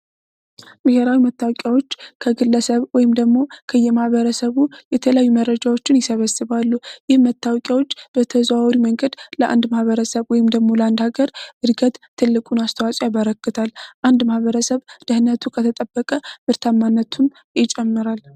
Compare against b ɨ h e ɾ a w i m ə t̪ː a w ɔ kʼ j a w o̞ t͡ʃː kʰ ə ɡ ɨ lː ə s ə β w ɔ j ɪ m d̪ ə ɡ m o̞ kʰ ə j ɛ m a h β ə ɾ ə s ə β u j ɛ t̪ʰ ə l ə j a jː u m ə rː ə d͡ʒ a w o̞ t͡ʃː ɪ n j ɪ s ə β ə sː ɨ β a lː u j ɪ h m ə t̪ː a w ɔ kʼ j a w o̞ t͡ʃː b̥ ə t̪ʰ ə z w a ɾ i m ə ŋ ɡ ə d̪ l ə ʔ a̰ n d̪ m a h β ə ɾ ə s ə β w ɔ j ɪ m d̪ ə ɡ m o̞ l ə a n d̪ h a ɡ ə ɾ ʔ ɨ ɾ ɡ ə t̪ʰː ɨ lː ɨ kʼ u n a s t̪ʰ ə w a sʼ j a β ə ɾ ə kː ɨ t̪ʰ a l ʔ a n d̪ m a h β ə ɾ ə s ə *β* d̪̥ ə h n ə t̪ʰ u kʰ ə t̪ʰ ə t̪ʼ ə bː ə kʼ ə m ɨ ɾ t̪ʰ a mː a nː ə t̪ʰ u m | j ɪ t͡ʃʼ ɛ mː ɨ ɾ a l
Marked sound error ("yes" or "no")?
no